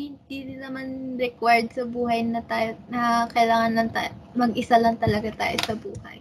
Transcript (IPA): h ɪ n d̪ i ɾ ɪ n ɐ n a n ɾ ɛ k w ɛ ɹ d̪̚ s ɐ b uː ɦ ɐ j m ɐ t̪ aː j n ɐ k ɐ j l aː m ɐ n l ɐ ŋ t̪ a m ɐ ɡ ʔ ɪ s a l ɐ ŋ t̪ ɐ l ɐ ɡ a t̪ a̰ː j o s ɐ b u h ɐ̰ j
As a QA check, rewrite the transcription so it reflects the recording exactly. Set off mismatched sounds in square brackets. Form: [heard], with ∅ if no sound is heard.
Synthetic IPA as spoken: h ɪ n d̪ i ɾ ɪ n ɐ [m] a n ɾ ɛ k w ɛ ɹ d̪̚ s ɐ b uː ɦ ɐ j [n] ɐ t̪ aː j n ɐ k ɐ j l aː [ŋ] ɐ n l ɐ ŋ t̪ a m ɐ ɡ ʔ ɪ s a l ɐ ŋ t̪ ɐ l ɐ ɡ a t̪ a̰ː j o s ɐ b [uː] h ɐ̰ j